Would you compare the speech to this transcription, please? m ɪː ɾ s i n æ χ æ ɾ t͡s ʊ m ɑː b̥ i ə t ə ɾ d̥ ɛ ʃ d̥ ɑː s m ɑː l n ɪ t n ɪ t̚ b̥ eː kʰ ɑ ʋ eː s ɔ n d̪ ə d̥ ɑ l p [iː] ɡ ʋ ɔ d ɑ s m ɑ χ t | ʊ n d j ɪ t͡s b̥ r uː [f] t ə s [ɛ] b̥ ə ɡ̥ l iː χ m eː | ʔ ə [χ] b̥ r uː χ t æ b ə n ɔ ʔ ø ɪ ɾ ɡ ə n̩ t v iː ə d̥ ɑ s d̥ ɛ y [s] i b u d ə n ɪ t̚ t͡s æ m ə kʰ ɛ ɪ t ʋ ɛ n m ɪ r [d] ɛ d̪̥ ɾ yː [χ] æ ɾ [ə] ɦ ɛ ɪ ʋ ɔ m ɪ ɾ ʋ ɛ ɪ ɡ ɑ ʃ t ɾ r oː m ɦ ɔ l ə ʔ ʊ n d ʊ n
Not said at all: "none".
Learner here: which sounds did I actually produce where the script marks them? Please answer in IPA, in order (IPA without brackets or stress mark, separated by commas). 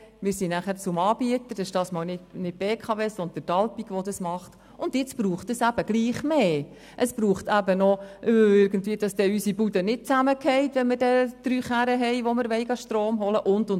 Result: i, χ, æ, s, s, d, χ, ə